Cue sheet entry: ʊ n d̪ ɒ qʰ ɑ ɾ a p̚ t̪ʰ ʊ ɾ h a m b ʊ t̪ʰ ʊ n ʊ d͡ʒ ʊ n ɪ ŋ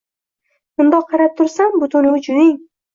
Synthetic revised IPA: ʊ n d̪ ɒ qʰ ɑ ɾ a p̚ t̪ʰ ʊ ɾ s a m b ʊ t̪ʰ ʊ n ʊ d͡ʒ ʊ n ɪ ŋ